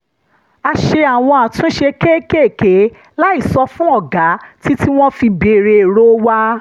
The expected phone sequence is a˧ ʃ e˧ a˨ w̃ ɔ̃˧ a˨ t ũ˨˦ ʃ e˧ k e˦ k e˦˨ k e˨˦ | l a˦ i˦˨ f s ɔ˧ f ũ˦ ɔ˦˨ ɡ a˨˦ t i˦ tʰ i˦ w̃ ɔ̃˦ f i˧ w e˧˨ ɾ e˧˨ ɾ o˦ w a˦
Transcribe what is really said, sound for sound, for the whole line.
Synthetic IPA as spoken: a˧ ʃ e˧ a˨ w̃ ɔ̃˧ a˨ t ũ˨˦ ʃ e˧ k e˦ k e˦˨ k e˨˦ | l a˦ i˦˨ s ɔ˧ f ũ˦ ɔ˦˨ ɡ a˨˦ t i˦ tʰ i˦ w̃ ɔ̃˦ f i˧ b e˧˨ ɾ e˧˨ ɾ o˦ w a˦